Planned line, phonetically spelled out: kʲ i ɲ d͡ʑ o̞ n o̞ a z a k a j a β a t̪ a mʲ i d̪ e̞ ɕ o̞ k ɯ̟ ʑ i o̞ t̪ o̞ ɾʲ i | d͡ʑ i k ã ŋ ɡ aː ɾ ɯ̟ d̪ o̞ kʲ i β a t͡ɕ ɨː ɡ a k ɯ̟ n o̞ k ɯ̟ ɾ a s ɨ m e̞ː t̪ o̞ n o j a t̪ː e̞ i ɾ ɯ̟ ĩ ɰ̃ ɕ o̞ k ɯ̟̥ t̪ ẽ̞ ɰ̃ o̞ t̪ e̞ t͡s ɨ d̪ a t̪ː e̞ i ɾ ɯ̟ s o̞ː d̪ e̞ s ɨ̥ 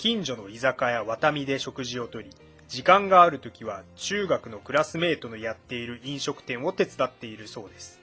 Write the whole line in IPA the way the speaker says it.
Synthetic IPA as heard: kʲ ĩ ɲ d͡ʑ o̞ n o̞ i z a k a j a β a t̪ a mʲ i d̪ e̞ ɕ o̞ k ɯ̟ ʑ i o̞ t̪ o̞ ɾʲ i | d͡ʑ i k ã ŋ ɡ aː ɾ ɯ̟ t̪ o̞ kʲ i β a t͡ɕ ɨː ɡ a k ɯ̟ n o̞ k ɯ̟ ɾ a s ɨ m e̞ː t̪ o̞ n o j a t̪ː e̞ i ɾ ɯ̟ ĩ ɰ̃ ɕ o̞ k ɯ̟̥ t̪ ẽ̞ ɰ̃ o̞ t̪ e̞ t͡s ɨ d̪ a t̪ː e̞ i ɾ ɯ̟ s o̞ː d̪ e̞ s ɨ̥